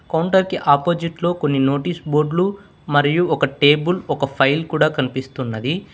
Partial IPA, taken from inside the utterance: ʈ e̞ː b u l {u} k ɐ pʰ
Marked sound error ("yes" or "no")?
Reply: yes